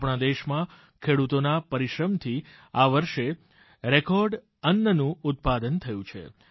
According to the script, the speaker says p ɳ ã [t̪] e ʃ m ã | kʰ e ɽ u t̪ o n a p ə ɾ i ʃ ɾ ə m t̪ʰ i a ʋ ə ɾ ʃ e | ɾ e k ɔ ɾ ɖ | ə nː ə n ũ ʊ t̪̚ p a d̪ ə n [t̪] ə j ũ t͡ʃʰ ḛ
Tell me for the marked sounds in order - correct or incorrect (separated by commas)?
incorrect, incorrect